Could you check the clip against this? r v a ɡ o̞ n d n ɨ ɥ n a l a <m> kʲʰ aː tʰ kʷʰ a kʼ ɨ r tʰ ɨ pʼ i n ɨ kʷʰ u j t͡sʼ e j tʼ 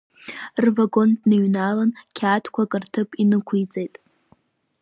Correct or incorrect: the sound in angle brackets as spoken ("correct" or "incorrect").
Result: incorrect